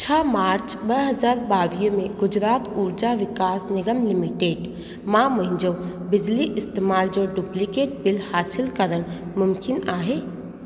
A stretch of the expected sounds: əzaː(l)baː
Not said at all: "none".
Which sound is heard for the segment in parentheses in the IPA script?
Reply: ɾ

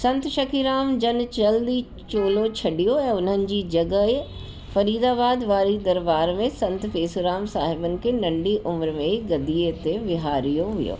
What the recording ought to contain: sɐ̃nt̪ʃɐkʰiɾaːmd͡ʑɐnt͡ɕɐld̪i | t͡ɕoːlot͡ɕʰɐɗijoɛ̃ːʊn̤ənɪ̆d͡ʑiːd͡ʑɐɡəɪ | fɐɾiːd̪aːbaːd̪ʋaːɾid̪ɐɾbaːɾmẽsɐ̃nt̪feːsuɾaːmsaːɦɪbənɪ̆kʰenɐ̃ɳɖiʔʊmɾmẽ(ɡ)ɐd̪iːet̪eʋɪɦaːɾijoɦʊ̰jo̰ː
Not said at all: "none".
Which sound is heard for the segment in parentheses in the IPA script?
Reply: ɡ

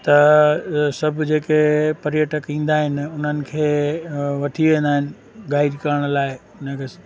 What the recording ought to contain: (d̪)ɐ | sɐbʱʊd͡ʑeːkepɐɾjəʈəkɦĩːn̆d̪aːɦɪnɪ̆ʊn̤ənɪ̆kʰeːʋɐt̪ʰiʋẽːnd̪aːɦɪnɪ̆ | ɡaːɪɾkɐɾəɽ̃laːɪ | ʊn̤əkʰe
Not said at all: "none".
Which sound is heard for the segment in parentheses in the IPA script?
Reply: t̪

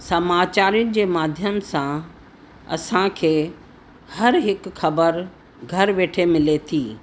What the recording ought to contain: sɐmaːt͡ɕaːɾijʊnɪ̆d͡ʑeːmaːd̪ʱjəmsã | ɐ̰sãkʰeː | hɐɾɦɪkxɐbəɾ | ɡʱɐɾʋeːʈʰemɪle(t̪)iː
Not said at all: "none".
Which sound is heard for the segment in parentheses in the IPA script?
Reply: t̪ʰ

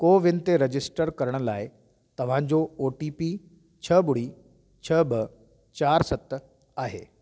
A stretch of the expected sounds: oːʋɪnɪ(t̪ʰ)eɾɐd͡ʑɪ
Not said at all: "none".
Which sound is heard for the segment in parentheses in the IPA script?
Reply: t̪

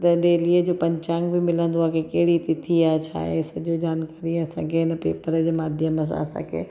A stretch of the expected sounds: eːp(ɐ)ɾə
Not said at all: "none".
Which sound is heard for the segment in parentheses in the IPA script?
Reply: ə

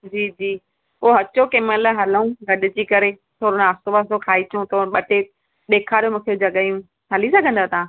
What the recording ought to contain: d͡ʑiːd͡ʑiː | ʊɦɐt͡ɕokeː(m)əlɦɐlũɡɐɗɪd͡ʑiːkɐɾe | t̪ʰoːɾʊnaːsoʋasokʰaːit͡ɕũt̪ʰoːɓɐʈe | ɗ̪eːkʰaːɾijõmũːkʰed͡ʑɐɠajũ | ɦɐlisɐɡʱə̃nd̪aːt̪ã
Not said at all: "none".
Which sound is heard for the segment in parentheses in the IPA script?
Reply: m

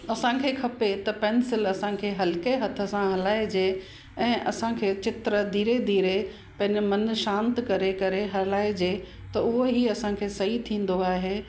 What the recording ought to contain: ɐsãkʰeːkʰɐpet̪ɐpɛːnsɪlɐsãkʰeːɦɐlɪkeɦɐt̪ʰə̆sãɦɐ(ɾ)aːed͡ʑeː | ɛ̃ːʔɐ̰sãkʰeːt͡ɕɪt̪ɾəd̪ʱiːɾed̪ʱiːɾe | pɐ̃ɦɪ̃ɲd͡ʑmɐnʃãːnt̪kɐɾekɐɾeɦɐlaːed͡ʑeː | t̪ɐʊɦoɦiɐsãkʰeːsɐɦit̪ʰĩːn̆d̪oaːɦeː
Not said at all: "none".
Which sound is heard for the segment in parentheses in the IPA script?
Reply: l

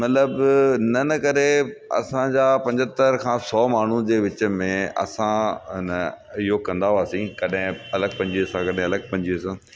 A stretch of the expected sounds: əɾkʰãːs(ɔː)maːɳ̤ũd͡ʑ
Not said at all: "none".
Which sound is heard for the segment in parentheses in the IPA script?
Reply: ɔː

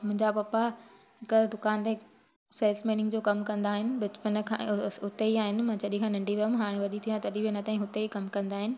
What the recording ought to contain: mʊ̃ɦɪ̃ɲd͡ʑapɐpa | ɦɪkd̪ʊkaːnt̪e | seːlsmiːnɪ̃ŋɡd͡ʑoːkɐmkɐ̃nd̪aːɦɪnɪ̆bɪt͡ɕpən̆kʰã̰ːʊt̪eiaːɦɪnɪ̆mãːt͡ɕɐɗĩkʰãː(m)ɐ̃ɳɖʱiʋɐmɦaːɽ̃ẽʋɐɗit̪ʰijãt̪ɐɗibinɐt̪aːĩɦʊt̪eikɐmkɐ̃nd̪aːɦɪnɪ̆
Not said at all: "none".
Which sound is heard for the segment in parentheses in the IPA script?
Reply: n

